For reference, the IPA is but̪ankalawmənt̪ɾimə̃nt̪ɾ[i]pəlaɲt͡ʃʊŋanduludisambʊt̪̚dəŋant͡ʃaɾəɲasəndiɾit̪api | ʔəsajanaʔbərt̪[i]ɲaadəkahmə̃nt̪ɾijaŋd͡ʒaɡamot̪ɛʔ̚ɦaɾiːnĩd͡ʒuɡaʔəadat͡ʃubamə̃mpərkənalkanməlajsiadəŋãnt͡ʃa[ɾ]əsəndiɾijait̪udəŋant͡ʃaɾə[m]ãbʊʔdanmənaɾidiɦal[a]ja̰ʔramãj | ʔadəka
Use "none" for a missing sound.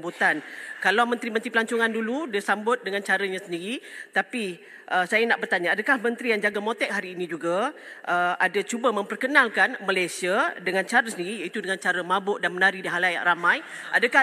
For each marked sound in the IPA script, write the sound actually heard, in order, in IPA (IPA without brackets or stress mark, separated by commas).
i, a, ɾ, m, a